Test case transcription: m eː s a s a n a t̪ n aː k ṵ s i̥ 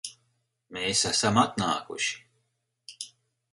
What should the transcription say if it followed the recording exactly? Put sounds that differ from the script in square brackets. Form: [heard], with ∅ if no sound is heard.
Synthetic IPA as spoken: m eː s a s a [m] a t̪ n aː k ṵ [ʃ] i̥